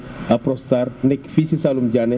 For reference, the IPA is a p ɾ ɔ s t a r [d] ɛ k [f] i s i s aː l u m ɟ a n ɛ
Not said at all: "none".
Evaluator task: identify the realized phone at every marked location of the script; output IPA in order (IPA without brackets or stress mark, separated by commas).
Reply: n, f